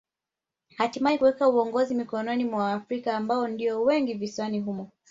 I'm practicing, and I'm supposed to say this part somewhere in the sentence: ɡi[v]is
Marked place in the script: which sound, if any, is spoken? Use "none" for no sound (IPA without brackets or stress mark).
v